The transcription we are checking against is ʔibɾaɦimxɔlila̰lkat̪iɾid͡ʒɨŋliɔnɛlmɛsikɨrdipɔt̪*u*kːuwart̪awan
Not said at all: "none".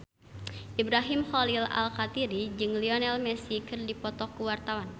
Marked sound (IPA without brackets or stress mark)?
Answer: ɔ